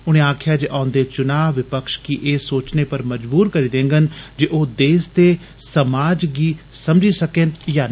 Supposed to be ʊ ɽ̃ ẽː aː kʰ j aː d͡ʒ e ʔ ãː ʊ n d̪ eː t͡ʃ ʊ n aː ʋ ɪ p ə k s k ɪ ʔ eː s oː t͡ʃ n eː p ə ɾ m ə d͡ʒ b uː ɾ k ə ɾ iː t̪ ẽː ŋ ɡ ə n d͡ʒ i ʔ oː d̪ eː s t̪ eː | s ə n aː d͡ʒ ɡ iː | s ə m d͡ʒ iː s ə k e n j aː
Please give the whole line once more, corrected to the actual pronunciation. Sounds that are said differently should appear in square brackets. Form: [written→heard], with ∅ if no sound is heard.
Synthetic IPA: ʊ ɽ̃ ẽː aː kʰ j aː d͡ʒ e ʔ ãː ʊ n d̪ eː t͡ʃ ʊ n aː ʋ ɪ p ə k [s→ʃ] k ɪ ʔ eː s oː t͡ʃ n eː p ə ɾ m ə d͡ʒ b uː ɾ k ə ɾ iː [t̪→d̪] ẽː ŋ ɡ ə n d͡ʒ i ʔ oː d̪ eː s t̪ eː | s ə [n→m] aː d͡ʒ ɡ iː | s ə m d͡ʒ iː s ə k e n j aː